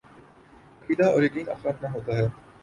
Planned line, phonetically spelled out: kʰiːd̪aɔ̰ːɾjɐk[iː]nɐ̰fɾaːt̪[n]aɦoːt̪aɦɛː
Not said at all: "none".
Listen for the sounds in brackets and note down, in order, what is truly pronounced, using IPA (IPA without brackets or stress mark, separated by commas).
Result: iː, n